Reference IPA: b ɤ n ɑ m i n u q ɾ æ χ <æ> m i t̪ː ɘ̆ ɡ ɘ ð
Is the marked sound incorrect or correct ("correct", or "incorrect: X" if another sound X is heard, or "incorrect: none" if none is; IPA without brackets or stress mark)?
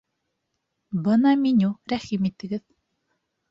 incorrect: i